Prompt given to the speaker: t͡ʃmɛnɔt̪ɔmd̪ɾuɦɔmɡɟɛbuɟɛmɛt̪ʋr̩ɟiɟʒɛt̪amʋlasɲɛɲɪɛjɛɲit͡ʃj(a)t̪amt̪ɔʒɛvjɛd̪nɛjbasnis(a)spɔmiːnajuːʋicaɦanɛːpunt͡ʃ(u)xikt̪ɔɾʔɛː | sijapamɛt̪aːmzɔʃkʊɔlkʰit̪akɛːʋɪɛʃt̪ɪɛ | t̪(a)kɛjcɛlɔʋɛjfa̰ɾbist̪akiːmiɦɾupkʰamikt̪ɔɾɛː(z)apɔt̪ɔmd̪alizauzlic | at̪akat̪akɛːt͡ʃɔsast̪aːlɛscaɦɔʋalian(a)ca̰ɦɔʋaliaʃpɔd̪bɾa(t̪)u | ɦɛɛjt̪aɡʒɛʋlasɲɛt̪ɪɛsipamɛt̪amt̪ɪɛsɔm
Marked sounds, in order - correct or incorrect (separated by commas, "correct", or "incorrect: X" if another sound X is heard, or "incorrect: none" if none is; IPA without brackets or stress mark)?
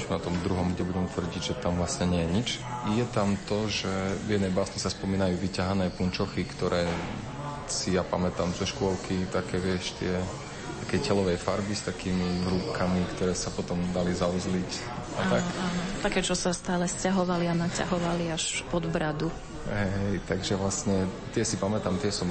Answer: incorrect: ɛ, correct, incorrect: ɔ, correct, incorrect: s, correct, incorrect: d̪